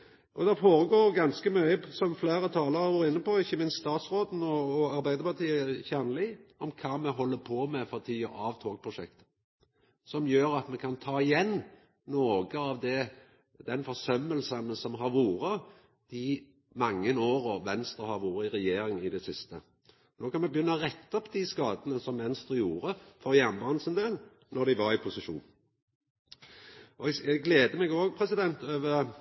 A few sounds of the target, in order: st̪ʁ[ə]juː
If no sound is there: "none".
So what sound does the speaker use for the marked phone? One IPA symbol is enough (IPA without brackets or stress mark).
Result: ə